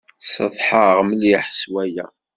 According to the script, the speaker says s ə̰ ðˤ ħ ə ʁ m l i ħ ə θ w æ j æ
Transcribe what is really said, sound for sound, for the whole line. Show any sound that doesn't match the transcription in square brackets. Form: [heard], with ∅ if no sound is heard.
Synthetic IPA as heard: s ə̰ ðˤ ħ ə ʁ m l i ħ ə [s] w æ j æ